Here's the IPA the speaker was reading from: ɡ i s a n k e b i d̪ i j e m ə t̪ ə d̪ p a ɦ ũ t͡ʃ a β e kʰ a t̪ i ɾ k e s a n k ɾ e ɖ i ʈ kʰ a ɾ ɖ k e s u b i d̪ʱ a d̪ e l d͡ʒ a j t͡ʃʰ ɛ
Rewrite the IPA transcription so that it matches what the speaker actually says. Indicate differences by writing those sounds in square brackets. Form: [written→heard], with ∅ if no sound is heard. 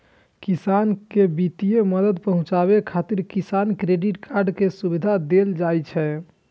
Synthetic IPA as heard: [ɡ→k] i s a n k e b i [d̪→t̪] i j e m ə [t̪→d̪] ə d̪ p [a→ə] ɦ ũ t͡ʃ a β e kʰ a t̪ i ɾ k [e→i] s a n k ɾ e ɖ i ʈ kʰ a ɾ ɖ k e s u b i d̪ʱ a d̪ e l d͡ʒ a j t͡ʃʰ ɛ